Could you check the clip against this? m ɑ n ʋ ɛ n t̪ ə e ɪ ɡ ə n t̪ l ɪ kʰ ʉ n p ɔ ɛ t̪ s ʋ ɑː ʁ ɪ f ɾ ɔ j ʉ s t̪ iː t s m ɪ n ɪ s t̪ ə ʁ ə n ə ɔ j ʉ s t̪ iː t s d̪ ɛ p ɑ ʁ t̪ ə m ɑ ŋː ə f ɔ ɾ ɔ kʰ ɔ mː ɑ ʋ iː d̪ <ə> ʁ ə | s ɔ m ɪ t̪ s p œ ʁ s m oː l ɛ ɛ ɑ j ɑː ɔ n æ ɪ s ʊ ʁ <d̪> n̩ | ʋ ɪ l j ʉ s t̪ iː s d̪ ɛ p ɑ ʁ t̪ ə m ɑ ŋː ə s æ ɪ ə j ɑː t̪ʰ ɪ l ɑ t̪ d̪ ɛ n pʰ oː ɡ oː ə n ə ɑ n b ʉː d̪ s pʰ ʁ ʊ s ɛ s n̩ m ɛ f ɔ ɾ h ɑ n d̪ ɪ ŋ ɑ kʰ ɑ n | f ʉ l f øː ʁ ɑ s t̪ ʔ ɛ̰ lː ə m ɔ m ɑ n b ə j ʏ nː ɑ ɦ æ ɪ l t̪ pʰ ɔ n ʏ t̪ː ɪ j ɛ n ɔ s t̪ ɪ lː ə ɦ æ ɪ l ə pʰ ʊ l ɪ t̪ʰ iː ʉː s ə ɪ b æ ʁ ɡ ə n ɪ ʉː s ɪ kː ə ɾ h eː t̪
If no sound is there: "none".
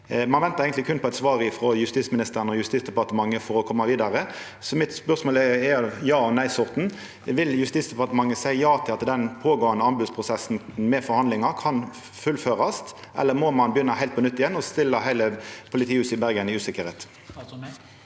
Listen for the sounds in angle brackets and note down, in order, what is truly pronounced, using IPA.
ɑ, t̪

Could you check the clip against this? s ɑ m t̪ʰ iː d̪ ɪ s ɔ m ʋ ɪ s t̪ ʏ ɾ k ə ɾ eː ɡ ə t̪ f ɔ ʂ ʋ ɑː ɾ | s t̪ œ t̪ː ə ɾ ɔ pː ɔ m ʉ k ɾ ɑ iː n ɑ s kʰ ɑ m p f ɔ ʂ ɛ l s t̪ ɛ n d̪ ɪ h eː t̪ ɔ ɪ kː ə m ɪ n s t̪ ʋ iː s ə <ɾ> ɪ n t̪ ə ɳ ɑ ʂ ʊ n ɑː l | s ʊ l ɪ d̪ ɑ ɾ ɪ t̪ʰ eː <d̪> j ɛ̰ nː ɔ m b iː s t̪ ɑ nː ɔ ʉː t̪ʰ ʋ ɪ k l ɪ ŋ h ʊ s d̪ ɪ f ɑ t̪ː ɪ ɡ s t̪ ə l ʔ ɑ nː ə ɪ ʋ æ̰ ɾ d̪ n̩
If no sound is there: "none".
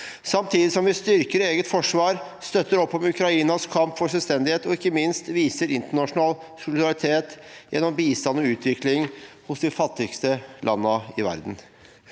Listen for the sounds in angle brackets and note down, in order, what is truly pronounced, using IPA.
ɾ, t̪

